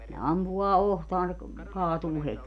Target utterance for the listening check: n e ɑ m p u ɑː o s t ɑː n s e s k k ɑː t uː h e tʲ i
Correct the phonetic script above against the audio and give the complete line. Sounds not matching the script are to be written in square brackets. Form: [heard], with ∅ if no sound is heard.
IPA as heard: n e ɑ m p u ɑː o [h] t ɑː n s e [∅] k k ɑː t uː h e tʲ i